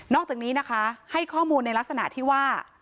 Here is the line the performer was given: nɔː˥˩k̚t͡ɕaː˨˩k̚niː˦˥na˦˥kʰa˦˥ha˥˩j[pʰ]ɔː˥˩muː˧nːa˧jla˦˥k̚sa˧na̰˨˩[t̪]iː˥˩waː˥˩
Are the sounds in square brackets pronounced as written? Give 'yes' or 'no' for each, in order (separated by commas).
no, no